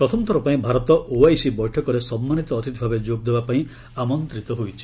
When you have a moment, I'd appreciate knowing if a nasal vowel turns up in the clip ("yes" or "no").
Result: yes